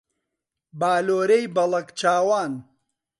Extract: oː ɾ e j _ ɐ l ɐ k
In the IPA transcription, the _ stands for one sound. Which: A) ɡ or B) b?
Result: B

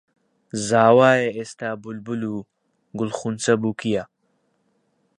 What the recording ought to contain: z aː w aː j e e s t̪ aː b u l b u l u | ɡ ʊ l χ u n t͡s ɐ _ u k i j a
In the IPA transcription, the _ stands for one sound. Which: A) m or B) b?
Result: B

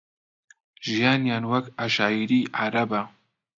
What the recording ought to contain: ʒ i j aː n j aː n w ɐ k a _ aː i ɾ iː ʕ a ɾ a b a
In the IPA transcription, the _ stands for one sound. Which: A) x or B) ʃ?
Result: B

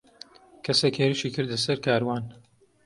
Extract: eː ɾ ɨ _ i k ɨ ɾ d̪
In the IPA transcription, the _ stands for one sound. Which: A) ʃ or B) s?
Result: A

